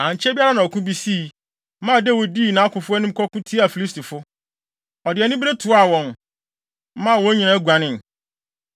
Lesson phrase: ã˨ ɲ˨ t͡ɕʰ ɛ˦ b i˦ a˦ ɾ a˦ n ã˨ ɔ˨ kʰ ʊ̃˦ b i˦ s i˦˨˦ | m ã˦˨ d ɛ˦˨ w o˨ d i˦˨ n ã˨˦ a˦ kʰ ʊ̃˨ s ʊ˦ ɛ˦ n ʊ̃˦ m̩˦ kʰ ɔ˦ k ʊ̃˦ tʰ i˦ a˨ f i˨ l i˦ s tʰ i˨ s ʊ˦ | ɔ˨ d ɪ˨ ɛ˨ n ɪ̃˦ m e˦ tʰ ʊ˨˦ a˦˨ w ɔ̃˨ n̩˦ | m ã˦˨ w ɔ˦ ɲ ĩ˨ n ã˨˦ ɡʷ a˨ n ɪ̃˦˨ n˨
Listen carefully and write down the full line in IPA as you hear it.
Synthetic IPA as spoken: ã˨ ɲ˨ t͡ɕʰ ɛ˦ b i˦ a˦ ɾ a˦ n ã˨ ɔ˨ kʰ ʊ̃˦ b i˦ s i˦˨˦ | m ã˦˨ d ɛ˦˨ w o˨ d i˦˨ n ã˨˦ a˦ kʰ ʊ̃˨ f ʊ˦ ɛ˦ n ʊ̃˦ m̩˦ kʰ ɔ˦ k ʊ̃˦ tʰ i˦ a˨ f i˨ l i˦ s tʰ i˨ f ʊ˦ | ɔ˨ d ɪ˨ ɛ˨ n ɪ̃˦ b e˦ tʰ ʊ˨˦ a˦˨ w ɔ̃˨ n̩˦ | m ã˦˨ w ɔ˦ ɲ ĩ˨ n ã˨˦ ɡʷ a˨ n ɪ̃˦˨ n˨